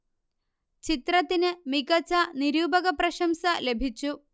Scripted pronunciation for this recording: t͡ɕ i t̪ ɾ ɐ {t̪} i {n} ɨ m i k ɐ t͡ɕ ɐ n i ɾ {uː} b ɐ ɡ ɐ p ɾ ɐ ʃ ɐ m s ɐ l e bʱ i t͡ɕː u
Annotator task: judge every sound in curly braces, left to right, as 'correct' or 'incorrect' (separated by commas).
correct, correct, correct